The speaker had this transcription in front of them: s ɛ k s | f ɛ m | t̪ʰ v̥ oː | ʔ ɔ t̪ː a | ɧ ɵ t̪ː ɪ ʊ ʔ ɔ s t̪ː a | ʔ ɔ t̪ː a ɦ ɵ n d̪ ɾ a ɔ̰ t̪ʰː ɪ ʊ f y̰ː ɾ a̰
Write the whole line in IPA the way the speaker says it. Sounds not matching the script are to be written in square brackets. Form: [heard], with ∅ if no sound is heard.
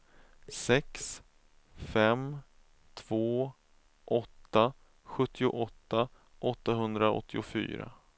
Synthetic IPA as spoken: s ɛ k s | f ɛ m | t̪ʰ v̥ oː | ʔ ɔ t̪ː a | ɧ ɵ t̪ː ɪ ʊ ʔ ɔ [∅] t̪ː a | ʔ ɔ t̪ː a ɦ ɵ n d̪ ɾ a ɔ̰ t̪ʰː ɪ ʊ f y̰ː ɾ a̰